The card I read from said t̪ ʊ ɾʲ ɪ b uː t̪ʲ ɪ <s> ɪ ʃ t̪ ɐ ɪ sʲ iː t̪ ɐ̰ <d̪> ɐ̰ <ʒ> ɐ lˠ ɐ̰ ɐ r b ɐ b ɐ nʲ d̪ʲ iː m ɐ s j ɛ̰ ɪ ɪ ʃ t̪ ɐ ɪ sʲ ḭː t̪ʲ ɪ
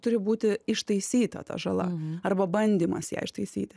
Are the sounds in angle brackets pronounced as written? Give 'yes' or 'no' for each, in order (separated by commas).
no, no, yes